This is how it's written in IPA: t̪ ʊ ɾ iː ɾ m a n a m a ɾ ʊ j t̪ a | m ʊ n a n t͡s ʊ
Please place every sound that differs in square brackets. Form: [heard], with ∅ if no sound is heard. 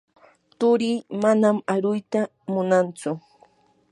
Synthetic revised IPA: t̪ ʊ ɾ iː [∅] m a n a m a ɾ ʊ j t̪ a | m ʊ n a n t͡s ʊ